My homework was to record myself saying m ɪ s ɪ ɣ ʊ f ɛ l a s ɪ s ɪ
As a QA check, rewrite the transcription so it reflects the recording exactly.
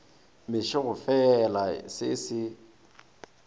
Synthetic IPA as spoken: m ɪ ʃ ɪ ɣ ʊ f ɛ l a s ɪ s ɪ